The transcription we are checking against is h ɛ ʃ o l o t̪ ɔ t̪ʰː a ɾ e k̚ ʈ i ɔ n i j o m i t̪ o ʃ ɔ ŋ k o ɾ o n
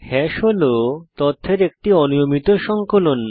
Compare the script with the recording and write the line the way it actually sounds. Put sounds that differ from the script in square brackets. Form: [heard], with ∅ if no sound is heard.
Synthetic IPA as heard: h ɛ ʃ o l o t̪ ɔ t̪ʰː [e] ɾ e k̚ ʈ i ɔ n i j o m i t̪ o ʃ ɔ ŋ k o [l] o n